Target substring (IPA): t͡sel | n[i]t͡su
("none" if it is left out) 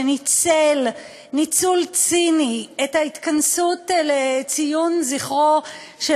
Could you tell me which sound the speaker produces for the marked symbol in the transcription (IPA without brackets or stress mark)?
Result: i